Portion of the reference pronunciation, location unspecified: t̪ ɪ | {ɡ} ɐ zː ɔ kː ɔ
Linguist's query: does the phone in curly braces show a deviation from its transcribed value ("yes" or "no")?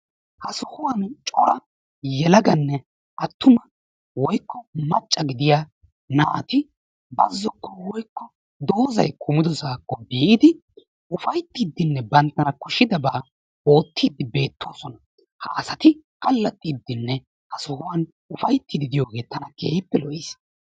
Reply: yes